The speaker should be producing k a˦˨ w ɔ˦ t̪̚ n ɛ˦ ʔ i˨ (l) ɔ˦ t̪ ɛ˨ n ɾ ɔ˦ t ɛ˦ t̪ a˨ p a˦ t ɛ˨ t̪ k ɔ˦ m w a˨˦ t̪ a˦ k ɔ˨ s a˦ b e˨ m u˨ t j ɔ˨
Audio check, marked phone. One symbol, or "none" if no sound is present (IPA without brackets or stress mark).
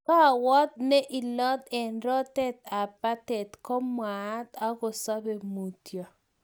l